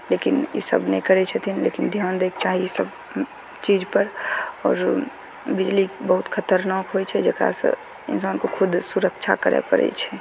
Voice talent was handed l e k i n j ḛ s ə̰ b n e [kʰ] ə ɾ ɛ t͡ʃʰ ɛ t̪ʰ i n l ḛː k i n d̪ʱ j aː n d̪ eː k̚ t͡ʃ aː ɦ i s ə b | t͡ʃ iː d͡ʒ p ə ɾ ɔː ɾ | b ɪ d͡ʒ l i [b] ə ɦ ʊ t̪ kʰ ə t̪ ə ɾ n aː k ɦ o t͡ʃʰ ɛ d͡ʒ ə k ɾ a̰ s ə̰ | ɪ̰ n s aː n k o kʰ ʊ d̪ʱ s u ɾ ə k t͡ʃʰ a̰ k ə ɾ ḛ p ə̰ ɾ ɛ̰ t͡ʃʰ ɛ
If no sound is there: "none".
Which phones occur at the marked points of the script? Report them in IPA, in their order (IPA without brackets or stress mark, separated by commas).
k, b